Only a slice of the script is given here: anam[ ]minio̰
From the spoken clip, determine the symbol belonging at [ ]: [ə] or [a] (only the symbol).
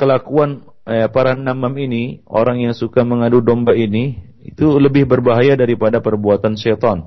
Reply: a